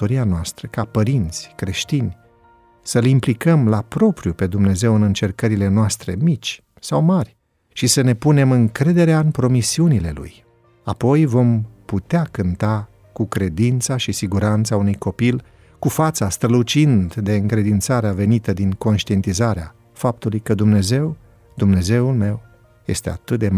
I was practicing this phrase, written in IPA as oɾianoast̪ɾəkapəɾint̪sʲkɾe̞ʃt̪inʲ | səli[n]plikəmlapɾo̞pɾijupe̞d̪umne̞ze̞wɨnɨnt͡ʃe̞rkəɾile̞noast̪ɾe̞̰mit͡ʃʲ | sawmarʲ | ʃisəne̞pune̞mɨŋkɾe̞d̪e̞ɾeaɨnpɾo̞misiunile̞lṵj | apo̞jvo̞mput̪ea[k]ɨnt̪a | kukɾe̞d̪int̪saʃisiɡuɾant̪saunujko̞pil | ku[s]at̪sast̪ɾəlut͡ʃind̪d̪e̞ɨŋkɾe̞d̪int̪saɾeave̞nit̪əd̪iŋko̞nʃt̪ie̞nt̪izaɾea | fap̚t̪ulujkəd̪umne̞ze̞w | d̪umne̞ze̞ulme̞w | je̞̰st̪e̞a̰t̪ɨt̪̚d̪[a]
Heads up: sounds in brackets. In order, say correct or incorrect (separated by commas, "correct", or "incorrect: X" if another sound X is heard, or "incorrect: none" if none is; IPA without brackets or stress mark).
incorrect: m, correct, incorrect: f, incorrect: e